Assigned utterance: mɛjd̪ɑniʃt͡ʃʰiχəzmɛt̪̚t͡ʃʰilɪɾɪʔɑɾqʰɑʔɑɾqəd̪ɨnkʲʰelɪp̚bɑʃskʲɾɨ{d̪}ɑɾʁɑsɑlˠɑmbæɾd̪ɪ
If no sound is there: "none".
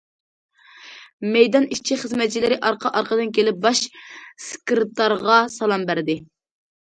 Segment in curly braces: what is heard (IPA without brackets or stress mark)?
t̪